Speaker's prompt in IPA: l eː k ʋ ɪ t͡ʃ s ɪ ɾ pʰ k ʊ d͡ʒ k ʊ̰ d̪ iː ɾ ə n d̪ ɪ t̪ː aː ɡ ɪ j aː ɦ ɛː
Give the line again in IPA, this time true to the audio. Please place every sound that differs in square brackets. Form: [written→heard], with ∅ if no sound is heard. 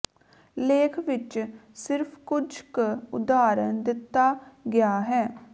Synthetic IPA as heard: l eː [k→kʰ] ʋ ɪ t͡ʃ s ɪ ɾ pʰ k ʊ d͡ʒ k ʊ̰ d̪ [iː→aː] ɾ ə n d̪ ɪ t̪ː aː ɡ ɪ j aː ɦ ɛː